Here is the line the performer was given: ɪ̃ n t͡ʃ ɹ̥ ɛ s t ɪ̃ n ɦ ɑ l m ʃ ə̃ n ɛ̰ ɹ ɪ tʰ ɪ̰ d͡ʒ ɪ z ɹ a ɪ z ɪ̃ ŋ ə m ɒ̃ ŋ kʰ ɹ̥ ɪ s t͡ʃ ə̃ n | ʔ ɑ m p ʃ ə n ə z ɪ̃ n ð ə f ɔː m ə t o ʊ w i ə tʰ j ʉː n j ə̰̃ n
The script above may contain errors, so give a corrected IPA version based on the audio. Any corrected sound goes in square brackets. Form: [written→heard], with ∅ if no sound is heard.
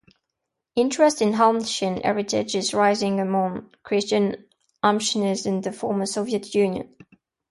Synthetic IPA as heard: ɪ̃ n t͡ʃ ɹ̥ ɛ s t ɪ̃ n ɦ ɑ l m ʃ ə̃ n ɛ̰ ɹ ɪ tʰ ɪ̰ d͡ʒ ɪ z ɹ a ɪ z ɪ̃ ŋ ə m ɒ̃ ŋ kʰ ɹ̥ ɪ s t͡ʃ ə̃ n | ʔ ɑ m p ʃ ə n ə z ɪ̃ n ð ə f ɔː m ə [t→s] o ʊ [w→v] i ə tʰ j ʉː n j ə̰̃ n

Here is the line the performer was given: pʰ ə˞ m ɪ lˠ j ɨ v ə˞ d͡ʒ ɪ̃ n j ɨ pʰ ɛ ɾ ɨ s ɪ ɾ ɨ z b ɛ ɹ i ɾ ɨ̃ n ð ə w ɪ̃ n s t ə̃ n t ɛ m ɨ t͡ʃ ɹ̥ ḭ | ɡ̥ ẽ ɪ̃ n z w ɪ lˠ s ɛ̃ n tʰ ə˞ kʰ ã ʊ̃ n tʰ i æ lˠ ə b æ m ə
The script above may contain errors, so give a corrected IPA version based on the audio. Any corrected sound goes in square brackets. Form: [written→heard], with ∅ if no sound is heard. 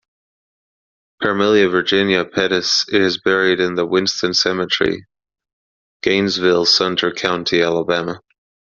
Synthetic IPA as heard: pʰ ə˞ m ɪ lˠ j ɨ v ə˞ d͡ʒ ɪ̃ n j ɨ pʰ ɛ ɾ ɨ s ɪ ɾ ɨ z b ɛ ɹ i ɾ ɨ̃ n ð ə w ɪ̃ n s t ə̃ n [t→s] ɛ m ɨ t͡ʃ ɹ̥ ḭ | ɡ̥ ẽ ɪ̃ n z [w→v] ɪ lˠ s ɛ̃ n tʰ ə˞ kʰ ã ʊ̃ n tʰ i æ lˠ ə b æ m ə

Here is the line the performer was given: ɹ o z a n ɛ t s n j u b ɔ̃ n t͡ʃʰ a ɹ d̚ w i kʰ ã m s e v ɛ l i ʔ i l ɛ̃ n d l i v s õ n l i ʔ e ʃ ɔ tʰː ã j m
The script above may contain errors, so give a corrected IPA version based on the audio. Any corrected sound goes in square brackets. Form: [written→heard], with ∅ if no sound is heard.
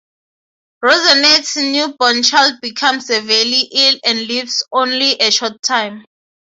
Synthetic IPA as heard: ɹ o z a n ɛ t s n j u b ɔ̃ n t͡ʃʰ a [ɹ→l] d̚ [w→b] i kʰ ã m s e v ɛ l i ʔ i l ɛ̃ n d l i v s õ n l i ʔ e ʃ ɔ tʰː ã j m

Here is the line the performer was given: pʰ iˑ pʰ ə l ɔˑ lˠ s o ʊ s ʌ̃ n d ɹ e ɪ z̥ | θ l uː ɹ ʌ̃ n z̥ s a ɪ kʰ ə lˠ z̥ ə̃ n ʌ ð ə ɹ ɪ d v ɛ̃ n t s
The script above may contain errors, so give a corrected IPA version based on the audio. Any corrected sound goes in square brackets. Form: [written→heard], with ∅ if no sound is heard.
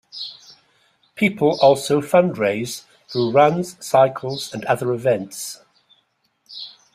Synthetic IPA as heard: pʰ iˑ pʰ ə l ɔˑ lˠ s o ʊ [s→f] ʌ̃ n d ɹ e ɪ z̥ | θ [l→ɹ] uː ɹ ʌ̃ n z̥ s a ɪ kʰ ə lˠ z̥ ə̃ n ʌ ð ə ɹ ɪ [d→∅] v ɛ̃ n t s

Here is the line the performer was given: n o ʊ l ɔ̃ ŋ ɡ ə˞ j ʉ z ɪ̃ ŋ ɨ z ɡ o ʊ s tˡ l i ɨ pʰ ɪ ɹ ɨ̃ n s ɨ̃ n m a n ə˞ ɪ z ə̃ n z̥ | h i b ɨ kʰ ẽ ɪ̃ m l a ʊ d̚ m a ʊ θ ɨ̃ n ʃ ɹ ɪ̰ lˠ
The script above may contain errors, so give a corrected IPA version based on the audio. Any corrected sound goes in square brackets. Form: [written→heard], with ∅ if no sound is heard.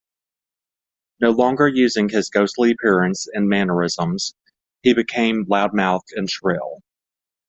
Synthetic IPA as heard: n o ʊ l ɔ̃ ŋ ɡ ə˞ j ʉ z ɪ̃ ŋ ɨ z ɡ o ʊ s tˡ l i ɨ pʰ ɪ ɹ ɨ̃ n s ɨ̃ n m [a→æ] n ə˞ ɪ z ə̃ [n→m] z̥ | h i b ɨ kʰ ẽ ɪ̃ m l a ʊ d̚ m a ʊ θ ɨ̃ n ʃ ɹ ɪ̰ lˠ

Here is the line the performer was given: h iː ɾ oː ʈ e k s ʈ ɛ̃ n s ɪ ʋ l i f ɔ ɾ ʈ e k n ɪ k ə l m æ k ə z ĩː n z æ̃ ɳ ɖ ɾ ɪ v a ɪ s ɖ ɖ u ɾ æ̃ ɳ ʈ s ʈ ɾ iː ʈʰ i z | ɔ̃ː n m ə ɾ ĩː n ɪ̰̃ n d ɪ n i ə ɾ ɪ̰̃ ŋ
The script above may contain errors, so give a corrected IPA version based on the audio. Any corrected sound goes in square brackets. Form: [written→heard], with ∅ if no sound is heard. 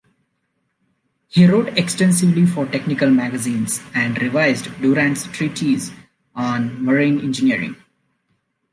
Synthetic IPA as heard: h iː ɾ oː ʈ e k s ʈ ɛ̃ n s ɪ ʋ l i f ɔ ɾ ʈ e k n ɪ k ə l m æ [k→ɡ] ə z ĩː n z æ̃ ɳ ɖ ɾ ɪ [v→ʋ] a ɪ [s→z] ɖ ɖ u ɾ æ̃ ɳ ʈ s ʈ ɾ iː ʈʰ i z | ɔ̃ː n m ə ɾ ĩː n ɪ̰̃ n [d→d͡ʒ] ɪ n i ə ɾ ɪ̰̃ ŋ

